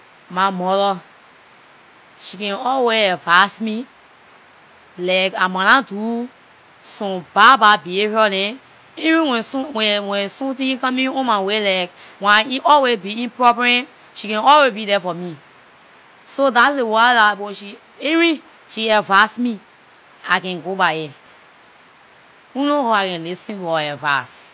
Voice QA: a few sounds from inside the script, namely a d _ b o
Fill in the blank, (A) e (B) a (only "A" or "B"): B